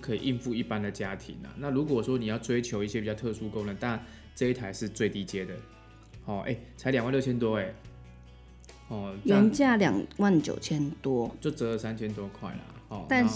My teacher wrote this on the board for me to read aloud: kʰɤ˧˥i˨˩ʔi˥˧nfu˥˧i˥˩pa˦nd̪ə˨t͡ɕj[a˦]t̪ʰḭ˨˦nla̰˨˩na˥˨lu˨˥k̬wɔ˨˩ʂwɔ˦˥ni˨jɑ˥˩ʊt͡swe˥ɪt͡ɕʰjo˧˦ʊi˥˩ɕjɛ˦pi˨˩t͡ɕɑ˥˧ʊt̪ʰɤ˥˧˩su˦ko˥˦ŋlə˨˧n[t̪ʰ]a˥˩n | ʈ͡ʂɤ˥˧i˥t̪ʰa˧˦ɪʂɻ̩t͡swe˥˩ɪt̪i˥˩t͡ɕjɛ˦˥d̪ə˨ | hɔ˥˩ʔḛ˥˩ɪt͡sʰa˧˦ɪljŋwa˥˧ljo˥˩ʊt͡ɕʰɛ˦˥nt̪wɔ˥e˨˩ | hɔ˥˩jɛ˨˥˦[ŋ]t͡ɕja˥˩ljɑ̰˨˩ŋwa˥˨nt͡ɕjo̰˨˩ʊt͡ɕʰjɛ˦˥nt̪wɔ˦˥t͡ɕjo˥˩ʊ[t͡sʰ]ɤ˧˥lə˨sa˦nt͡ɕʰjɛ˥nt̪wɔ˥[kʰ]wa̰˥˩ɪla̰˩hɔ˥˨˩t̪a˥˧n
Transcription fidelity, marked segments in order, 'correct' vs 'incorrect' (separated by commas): correct, incorrect, incorrect, incorrect, correct